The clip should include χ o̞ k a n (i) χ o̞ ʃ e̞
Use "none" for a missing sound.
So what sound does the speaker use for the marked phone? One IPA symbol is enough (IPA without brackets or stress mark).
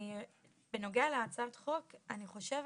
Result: i